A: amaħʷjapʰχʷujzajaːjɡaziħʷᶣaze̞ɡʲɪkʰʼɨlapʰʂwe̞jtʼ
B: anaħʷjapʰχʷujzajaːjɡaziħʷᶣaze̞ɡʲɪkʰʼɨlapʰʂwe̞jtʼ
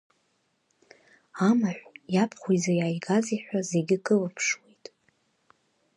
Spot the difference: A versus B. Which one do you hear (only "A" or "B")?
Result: A